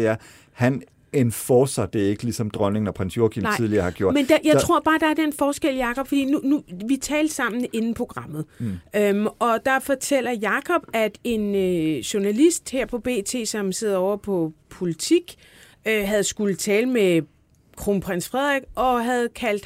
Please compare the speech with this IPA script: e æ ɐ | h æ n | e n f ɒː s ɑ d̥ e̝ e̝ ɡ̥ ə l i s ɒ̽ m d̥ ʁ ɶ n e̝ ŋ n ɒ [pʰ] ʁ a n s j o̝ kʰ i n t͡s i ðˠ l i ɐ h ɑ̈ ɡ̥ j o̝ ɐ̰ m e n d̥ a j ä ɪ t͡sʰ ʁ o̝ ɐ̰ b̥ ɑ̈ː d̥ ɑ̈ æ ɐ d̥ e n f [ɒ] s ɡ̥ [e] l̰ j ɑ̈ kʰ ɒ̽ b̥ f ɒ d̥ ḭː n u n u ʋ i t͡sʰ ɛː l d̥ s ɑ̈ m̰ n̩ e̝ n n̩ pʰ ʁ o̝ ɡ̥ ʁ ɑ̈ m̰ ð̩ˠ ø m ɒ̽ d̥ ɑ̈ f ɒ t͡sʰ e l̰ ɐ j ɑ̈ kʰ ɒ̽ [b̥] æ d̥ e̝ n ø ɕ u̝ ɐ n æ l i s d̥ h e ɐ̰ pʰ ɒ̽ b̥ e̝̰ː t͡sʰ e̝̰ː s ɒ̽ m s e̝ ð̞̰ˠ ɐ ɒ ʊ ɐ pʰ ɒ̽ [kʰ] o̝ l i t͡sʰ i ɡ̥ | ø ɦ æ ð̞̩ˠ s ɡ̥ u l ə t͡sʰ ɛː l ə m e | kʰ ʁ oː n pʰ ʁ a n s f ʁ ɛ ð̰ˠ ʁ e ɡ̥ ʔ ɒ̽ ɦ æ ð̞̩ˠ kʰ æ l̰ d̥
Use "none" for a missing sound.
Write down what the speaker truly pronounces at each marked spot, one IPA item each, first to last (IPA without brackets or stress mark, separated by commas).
pʰ, ɒː, e, b̥, pʰ